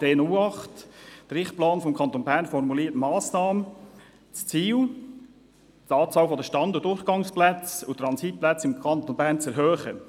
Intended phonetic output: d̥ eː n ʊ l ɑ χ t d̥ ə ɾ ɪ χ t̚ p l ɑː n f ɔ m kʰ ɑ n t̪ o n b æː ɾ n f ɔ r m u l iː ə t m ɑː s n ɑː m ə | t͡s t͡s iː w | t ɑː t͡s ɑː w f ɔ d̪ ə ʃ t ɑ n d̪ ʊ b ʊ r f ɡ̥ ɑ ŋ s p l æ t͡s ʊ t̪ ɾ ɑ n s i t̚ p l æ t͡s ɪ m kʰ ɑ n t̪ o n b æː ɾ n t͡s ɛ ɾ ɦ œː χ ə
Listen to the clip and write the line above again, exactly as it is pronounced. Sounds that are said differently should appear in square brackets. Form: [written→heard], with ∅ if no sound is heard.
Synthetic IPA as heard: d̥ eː n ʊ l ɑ χ t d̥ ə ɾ ɪ χ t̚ p l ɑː n f ɔ m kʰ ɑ n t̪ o n b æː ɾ n f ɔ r m u l iː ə t m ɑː s n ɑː m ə | t͡s t͡s iː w | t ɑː t͡s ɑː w f ɔ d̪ ə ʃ t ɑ n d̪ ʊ [b→d] ʊ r [f→χ] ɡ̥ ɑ ŋ s p l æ t͡s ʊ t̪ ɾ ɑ n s i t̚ p l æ t͡s ɪ m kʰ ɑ n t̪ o n b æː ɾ n t͡s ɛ ɾ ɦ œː χ ə

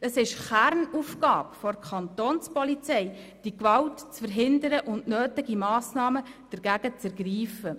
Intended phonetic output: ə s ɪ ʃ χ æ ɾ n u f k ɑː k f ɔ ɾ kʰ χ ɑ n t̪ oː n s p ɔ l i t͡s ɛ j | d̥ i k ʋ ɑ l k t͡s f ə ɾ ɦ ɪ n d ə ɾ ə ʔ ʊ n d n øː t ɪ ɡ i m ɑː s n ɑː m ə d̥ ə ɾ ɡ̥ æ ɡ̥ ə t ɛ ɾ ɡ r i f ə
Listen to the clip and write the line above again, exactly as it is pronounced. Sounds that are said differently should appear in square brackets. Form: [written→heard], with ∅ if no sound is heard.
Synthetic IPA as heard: ə s ɪ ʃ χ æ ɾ n u f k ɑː [k→p] f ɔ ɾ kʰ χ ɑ n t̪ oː n s p ɔ l i t͡s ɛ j | d̥ i k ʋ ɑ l [k→t] t͡s f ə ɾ ɦ ɪ n d ə ɾ ə ʔ ʊ n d n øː t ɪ ɡ i m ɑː s n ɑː m ə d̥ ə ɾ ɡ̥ æ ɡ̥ ə [t→t͡s] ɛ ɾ ɡ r [i→iː] f ə

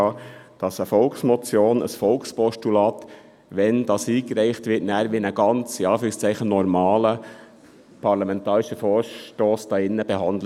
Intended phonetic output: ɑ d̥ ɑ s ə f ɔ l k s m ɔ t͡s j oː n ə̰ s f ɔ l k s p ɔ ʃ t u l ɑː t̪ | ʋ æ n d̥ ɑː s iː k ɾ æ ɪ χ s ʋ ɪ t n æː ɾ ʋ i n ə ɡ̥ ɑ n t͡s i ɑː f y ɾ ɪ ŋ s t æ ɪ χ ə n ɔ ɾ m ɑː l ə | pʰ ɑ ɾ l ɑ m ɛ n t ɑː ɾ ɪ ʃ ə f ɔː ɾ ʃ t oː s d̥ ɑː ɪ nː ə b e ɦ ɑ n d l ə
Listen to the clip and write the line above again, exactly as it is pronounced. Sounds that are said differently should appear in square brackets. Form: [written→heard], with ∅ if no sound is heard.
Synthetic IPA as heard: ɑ d̥ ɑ s ə f ɔ l k s m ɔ t͡s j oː n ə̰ s f ɔ l k s p ɔ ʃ t u l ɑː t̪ | ʋ [æ→ɛ] n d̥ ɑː s iː k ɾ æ ɪ χ [s→t] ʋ ɪ t n æː ɾ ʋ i n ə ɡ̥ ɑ n t͡s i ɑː f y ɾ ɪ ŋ s [t→t͡s] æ ɪ χ ə n ɔ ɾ m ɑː l ə | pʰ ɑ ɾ l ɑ m ɛ n t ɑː ɾ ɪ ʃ ə f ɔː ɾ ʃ t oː s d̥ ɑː ɪ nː ə b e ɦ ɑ n d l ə

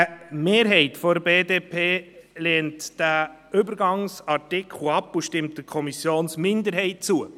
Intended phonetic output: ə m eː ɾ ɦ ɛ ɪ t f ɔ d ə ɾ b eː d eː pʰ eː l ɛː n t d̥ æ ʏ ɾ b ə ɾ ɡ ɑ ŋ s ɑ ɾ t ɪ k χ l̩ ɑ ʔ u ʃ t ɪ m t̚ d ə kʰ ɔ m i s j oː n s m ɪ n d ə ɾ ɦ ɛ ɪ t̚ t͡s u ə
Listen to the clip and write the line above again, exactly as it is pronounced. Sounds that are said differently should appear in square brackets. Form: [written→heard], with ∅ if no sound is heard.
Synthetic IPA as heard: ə m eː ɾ ɦ ɛ ɪ t f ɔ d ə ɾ b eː d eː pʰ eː l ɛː n t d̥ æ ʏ [ɾ→∅] b ə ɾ ɡ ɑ ŋ s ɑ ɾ t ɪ k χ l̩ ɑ [ʔ→p] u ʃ t ɪ m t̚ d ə kʰ ɔ m i s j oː n s m ɪ n d ə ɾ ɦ ɛ ɪ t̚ t͡s u ə

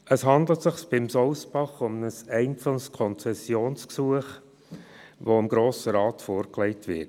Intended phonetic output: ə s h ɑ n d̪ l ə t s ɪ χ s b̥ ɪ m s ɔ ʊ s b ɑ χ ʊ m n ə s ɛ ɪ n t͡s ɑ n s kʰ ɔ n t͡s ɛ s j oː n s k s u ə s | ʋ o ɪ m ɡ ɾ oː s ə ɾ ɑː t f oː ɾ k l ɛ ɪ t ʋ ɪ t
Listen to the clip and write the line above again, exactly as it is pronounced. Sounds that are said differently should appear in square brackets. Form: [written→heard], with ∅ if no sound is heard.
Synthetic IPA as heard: ə s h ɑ n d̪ l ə t s ɪ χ s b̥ ɪ m s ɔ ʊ s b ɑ χ ʊ m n ə s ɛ ɪ n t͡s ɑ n s kʰ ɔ n t͡s ɛ s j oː n s k s u ə [s→χ] | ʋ o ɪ m ɡ ɾ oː s ə ɾ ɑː t f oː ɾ k l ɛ ɪ t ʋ ɪ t

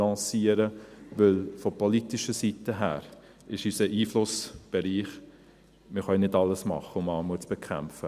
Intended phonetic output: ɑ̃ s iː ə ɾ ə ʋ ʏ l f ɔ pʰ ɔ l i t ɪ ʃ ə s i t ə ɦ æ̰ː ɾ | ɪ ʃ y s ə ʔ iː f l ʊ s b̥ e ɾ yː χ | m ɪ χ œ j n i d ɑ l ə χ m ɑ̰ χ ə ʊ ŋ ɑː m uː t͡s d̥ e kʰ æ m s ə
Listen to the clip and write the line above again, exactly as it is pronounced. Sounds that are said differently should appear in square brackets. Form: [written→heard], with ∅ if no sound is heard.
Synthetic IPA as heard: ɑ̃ s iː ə ɾ ə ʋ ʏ l f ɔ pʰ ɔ l i t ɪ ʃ ə s i t ə ɦ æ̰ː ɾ | ɪ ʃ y s ə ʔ iː f l ʊ s b̥ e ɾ [yː→iː] χ | m ɪ χ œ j n [i→ɪ] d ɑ l ə [χ→s] m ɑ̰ χ ə ʊ [ŋ→m] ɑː m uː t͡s [d̥→b̥] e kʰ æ m [s→f] ə

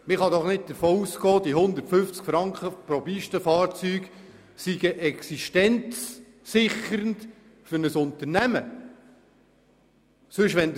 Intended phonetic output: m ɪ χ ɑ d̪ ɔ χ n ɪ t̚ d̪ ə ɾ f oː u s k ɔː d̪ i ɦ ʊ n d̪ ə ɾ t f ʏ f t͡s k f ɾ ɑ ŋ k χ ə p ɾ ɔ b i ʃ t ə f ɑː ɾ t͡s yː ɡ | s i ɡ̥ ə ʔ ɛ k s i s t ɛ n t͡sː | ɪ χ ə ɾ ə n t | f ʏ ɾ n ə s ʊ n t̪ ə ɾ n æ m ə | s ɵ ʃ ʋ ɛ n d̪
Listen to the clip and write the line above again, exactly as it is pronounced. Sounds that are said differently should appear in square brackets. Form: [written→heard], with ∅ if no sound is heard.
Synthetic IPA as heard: m ɪ χ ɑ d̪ ɔ χ n ɪ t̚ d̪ ə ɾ f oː u s k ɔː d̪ i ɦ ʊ n d̪ ə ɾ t f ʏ f t͡s k f ɾ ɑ ŋ k χ ə p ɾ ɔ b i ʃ t ə f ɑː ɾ t͡s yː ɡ | s i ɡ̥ ə ʔ ɛ k s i [s→ʃ] t ɛ n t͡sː | ɪ χ ə ɾ ə n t | f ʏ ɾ n ə s ʊ n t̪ ə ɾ n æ m ə | s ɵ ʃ ʋ ɛ n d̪

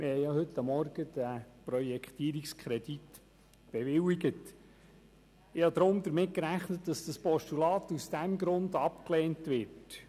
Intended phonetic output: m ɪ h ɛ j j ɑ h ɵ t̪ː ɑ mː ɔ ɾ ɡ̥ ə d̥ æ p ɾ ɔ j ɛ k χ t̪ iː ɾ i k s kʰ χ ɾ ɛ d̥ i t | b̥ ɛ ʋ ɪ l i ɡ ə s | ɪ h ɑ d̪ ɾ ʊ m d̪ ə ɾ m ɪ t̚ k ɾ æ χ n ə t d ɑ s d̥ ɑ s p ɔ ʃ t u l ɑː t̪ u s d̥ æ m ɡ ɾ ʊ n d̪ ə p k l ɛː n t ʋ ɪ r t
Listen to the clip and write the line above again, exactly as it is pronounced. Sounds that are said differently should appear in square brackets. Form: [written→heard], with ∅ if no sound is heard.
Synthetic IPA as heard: m ɪ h ɛ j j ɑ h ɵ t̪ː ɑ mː ɔ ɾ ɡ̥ ə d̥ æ p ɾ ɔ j ɛ k χ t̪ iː ɾ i k s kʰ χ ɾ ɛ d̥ i t | b̥ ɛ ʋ ɪ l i ɡ ə [s→t] | ɪ h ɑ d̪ ɾ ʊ m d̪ ə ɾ m ɪ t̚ k ɾ æ χ n ə t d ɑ s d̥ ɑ s p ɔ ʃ t u l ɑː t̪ u s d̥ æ m ɡ ɾ ʊ n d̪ [ə→ɑ] p k l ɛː n t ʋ ɪ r t

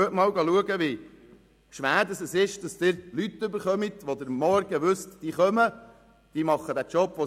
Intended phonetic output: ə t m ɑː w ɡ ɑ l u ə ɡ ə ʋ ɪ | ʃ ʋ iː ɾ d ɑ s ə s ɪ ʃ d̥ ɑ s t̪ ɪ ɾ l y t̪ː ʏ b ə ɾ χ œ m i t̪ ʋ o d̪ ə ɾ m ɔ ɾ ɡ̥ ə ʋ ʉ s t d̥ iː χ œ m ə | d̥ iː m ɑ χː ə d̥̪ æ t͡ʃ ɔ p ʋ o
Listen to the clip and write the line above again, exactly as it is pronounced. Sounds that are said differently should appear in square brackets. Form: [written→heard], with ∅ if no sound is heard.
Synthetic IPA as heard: ə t m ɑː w ɡ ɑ l u ə ɡ ə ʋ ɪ | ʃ ʋ [iː→æː] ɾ d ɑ s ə s ɪ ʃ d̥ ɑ s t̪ ɪ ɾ l y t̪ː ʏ b ə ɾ χ œ m i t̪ ʋ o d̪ ə ɾ m ɔ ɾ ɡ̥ ə ʋ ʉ s t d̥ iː χ œ m ə | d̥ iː m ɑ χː ə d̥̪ æ t͡ʃ ɔ p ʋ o

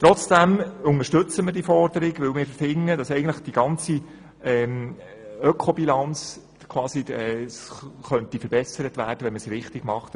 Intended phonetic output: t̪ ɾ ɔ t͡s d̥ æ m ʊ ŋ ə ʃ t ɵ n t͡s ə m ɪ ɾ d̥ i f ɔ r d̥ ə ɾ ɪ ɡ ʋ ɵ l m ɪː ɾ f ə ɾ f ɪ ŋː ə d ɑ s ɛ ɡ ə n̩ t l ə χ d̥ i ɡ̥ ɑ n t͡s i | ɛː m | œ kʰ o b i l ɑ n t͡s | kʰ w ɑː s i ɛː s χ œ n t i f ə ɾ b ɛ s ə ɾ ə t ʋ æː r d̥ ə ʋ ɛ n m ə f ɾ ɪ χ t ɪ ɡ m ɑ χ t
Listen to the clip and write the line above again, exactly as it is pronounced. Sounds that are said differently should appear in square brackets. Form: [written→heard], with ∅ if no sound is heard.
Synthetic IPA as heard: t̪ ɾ ɔ t͡s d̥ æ m ʊ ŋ ə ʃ t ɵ [n→∅] t͡s ə m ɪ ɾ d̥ i f ɔ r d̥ ə ɾ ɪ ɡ ʋ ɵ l m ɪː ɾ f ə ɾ f ɪ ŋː ə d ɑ s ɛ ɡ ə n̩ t l ə χ d̥ i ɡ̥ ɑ n t͡s i | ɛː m | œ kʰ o b i l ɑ n t͡s | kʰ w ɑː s i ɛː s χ œ n t i f ə ɾ b ɛ s ə ɾ ə t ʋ æː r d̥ ə ʋ ɛ n m ə [f→s] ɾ ɪ χ t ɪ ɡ m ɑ χ t

